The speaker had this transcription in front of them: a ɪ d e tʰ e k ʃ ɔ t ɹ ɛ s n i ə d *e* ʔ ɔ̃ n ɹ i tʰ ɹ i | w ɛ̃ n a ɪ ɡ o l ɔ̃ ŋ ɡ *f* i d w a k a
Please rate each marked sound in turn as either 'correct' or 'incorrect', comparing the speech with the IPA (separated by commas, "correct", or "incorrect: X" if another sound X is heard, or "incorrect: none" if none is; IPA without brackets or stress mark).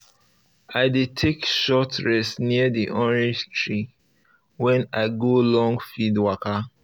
incorrect: i, correct